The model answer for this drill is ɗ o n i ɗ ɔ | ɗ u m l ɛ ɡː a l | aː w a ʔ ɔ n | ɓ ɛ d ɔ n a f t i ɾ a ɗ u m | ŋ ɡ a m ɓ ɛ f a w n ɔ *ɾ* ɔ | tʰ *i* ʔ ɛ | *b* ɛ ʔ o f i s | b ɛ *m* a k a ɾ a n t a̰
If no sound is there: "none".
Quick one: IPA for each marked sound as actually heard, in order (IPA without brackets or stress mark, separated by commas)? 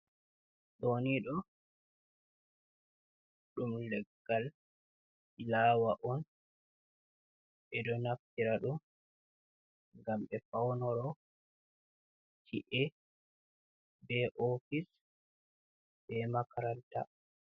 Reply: ɾ, i, b, m